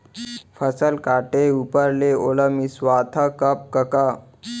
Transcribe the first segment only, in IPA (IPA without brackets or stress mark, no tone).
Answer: f